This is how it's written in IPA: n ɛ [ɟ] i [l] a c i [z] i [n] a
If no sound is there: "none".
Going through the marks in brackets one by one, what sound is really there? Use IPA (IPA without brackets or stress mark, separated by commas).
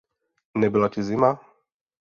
b, l, z, m